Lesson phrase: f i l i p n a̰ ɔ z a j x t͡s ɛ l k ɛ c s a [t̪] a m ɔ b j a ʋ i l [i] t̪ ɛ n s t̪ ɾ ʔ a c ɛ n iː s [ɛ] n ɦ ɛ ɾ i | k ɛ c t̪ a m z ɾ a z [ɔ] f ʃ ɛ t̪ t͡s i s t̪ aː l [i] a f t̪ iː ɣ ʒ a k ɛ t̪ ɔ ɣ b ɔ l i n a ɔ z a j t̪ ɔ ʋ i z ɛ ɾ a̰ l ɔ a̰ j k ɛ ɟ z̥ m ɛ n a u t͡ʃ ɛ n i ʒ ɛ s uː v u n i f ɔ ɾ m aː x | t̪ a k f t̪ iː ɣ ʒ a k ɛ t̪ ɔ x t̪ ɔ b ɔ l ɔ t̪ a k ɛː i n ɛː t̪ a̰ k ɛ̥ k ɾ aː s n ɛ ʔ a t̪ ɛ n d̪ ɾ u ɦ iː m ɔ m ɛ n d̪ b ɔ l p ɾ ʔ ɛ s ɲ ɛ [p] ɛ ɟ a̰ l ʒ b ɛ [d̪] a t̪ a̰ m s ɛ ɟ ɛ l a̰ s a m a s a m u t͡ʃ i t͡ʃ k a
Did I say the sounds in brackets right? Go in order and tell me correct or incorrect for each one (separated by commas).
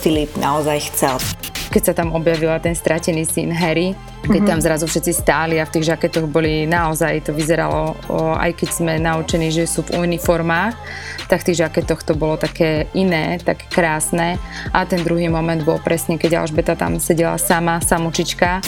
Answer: correct, incorrect, incorrect, incorrect, correct, incorrect, incorrect